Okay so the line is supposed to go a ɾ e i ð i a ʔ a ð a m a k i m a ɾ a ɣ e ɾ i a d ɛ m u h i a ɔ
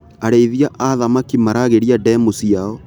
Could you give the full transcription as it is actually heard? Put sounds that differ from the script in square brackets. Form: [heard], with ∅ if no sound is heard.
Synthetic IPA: a ɾ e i ð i a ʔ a ð a m a k i m a ɾ a ɣ e ɾ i a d ɛ m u [s] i a ɔ

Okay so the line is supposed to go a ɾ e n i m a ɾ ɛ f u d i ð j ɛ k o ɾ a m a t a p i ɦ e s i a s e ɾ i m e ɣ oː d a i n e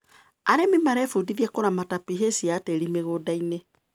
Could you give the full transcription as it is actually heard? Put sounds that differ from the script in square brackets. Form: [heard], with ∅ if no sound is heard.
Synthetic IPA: a ɾ e [m] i m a ɾ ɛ f u d i ð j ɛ k o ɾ a m a t a p i ɦ e s i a [t] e ɾ i m e ɣ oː d a i n e

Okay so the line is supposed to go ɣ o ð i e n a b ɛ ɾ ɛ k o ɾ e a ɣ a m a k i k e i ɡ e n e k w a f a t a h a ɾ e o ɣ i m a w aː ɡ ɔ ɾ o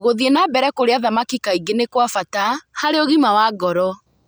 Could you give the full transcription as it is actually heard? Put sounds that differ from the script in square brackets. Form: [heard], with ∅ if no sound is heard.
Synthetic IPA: ɣ o ð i e n a b ɛ ɾ ɛ k o ɾ e a [ð] a m a k i k [a] i ɡ e n e k w a f a t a h a ɾ e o ɣ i m a w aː ɡ ɔ ɾ [ɔ]

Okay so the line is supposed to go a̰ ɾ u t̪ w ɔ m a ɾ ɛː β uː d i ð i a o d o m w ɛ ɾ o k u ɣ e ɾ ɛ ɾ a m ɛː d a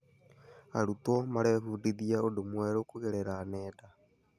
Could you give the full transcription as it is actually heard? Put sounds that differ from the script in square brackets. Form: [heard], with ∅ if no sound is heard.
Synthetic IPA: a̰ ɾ u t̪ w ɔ m a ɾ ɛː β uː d i ð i a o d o m w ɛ ɾ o k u ɣ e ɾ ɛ ɾ a [n] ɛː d a

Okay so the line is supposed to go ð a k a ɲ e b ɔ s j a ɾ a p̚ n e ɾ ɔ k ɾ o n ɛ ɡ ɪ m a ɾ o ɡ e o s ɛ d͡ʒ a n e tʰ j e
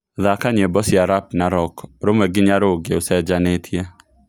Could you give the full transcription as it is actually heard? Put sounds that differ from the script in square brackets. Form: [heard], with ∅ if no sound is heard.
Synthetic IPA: ð a k a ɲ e b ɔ s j a ɾ a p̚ n [a] ɾ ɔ k ɾ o [m] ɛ ɡ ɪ [ɲ] a ɾ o ɡ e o s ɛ d͡ʒ a n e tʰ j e

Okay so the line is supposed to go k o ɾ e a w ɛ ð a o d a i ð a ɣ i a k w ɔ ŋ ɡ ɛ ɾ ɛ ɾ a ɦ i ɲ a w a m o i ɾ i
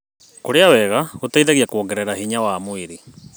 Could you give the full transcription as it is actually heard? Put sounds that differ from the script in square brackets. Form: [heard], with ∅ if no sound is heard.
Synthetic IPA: k o ɾ e a w ɛ [ɣ] a o [t] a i ð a ɣ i a k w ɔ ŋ ɡ ɛ ɾ ɛ ɾ a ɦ i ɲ a w a m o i ɾ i

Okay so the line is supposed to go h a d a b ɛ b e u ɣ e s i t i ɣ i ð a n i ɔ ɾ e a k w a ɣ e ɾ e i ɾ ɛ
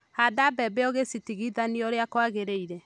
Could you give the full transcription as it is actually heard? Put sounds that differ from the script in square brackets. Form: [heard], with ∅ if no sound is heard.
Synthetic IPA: h a d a b ɛ b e [ɔ] ɣ e s i t i ɣ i ð a n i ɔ ɾ e a k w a ɣ e ɾ e i ɾ ɛ

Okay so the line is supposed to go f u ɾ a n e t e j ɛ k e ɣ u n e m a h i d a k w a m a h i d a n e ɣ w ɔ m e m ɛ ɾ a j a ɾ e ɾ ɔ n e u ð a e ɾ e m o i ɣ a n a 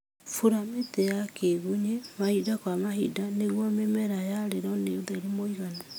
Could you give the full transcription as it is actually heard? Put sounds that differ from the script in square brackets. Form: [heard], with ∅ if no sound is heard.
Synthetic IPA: f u ɾ a [m] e t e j [a] k e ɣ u [ɲ] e m a h i d a k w a m a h i d a n e ɣ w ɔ m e m ɛ ɾ a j a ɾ e ɾ ɔ n e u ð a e ɾ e m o i ɣ a n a

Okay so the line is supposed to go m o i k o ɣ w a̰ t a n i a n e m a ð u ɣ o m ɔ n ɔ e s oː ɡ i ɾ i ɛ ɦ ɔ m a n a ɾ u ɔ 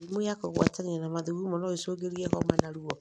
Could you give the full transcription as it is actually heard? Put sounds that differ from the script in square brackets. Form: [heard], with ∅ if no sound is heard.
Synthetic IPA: m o [a] k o ɣ w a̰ t a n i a n [a] m a ð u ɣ [u] m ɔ n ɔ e s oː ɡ [e] ɾ i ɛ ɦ ɔ m a n a ɾ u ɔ

